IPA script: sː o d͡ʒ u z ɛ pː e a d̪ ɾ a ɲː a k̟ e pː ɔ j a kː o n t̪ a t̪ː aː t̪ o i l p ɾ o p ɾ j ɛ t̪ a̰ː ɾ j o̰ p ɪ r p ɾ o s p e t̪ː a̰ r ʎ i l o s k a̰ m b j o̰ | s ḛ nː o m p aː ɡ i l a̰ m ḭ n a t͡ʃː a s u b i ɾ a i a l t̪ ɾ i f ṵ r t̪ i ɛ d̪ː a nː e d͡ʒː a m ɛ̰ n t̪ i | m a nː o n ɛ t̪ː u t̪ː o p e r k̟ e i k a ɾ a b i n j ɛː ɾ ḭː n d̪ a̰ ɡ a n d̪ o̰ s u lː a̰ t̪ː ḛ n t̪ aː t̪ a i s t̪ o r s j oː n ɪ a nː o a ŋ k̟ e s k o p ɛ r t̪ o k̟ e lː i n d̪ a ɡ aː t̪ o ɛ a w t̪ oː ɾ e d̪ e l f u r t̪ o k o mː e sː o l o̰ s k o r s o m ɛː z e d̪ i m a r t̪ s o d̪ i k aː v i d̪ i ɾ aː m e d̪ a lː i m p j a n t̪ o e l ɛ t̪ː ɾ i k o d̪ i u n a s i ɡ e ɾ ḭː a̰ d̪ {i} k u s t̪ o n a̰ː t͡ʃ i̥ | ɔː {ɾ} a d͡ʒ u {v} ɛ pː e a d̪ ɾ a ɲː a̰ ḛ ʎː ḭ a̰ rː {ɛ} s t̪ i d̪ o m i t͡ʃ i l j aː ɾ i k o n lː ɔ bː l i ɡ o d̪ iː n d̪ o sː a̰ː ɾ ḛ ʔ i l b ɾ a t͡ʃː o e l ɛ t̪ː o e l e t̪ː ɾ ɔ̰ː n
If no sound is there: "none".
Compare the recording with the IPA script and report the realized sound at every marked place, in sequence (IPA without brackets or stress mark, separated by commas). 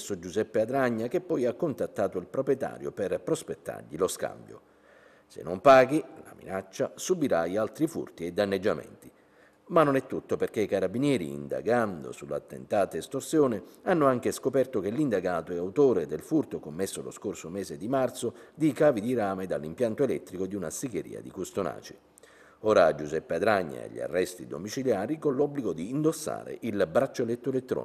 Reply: i, ɾ, z, ɛ